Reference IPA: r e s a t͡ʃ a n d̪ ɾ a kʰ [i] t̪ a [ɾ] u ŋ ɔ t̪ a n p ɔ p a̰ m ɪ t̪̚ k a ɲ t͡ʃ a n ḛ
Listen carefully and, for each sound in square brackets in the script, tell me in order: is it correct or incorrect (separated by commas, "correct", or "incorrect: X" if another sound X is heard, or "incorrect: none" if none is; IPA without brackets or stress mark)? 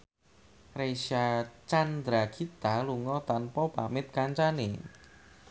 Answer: correct, incorrect: l